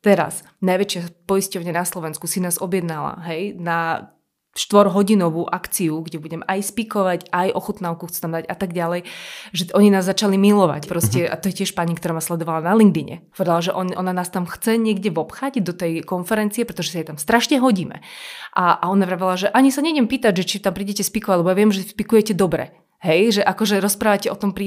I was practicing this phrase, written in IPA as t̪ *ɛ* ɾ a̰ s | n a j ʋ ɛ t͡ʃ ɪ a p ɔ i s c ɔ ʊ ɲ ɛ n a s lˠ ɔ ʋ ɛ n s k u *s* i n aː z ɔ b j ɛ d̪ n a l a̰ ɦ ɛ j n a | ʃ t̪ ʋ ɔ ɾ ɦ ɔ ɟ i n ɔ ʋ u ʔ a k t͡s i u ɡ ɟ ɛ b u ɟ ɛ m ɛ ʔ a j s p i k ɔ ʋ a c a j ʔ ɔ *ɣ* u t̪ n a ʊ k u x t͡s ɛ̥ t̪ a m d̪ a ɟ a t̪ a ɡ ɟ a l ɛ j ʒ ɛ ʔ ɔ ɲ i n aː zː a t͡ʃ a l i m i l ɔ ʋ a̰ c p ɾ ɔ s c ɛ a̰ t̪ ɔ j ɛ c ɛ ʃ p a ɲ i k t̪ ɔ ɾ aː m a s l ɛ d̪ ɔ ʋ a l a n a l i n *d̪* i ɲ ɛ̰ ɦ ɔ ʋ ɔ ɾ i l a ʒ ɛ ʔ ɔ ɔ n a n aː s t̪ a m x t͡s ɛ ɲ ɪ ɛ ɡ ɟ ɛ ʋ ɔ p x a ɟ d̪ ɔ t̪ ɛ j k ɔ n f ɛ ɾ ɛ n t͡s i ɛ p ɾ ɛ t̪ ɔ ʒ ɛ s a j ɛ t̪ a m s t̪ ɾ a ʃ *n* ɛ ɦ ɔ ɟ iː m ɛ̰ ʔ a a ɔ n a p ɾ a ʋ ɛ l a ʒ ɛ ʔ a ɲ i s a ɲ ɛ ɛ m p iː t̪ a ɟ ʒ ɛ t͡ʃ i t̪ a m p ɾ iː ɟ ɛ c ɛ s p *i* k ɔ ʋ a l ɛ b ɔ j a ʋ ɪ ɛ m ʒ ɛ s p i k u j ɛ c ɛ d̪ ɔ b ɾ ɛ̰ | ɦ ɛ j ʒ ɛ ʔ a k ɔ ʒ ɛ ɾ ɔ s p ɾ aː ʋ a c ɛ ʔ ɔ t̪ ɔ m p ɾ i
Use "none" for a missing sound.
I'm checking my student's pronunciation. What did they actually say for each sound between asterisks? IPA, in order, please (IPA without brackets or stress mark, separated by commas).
ɛ, s, x, d̪, ɲ, i